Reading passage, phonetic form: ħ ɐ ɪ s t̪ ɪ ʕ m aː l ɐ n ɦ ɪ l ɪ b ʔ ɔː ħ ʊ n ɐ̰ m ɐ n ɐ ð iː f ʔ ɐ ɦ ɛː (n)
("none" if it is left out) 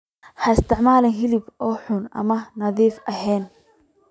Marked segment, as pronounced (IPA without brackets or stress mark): n